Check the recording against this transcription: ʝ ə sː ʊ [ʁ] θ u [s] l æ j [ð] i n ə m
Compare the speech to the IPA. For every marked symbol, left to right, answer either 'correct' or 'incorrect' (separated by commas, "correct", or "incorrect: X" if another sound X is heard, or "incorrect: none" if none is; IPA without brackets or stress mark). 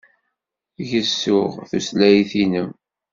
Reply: correct, correct, incorrect: θ